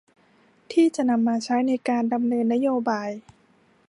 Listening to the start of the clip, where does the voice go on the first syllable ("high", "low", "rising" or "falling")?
falling